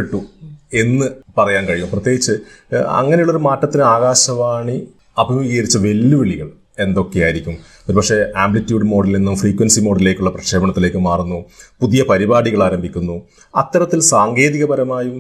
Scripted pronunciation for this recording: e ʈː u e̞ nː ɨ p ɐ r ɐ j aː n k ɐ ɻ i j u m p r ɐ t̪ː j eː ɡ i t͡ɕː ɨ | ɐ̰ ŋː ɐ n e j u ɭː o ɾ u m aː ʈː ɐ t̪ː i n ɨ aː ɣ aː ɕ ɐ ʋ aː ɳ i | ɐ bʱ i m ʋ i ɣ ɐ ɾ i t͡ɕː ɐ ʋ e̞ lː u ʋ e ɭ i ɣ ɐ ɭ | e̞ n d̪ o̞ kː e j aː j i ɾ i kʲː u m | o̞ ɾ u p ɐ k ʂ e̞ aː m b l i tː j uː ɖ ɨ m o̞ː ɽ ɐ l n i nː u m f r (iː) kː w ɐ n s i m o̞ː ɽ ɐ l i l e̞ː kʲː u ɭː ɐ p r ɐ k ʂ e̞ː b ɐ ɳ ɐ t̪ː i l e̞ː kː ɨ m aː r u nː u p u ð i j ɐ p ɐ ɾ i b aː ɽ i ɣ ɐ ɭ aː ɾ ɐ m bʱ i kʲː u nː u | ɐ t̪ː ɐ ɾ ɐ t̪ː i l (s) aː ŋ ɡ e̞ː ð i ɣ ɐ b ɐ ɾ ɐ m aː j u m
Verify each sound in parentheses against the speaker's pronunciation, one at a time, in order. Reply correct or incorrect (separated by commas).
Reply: correct, correct